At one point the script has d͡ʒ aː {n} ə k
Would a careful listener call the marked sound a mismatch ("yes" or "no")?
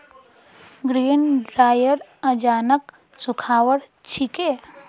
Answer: no